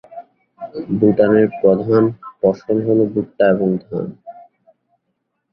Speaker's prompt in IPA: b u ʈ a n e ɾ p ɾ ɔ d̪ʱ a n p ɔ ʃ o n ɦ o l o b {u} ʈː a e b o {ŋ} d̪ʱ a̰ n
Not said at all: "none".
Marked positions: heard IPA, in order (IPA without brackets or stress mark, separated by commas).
u, ŋ